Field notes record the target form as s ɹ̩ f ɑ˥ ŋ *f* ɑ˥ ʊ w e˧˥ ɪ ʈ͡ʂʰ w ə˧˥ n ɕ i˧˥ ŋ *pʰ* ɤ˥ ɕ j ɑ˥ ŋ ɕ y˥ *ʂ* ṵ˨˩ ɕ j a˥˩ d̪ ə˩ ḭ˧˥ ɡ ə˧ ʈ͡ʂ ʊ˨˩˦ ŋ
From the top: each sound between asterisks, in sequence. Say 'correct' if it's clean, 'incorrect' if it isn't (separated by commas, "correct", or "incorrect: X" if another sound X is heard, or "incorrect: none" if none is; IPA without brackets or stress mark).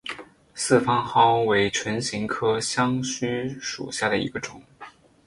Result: incorrect: x, incorrect: kʰ, correct